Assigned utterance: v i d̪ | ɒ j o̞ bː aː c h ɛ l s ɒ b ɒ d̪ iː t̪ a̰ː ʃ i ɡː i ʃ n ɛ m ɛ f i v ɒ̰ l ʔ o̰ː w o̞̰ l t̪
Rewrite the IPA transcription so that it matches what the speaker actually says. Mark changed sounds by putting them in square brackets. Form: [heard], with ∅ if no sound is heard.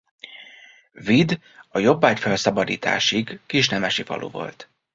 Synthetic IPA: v i d̪ | ɒ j o̞ bː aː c [f] ɛ l s ɒ b ɒ d̪ iː t̪ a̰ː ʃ i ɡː i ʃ n ɛ m ɛ [ʃ] i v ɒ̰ l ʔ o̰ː [v] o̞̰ l t̪